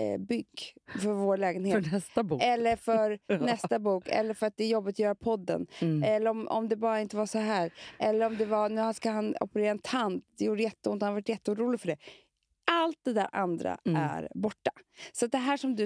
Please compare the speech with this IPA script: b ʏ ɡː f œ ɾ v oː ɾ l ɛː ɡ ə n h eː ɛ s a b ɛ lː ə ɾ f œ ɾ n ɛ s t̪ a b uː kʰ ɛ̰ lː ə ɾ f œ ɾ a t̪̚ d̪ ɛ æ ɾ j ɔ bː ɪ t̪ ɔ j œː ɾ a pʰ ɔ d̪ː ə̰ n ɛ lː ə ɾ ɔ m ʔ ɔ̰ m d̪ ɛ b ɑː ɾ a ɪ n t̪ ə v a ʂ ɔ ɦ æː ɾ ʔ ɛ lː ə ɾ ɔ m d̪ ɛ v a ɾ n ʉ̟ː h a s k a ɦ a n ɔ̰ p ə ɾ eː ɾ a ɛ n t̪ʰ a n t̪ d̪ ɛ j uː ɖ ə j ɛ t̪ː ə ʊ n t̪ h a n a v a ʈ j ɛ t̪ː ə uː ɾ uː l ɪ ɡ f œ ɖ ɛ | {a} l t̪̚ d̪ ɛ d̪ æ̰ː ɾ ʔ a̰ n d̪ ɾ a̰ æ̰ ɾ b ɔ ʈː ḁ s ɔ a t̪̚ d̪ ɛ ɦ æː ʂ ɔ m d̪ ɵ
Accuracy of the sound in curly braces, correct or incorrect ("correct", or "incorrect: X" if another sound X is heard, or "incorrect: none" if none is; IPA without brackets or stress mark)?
correct